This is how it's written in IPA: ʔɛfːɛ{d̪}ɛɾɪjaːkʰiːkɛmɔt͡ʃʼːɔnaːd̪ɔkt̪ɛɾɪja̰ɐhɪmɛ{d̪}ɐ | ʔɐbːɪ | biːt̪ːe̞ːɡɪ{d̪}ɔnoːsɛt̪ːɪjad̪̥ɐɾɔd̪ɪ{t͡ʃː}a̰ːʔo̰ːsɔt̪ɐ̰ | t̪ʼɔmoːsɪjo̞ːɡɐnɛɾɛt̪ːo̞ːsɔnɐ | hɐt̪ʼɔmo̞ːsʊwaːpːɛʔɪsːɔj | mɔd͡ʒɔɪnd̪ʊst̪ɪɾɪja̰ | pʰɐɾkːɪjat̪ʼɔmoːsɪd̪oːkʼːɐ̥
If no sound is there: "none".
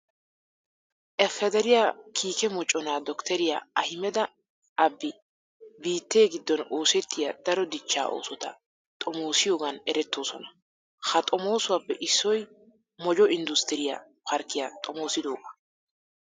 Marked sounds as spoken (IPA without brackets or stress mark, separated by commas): d̪, d̪, d̪ː, t͡ʃː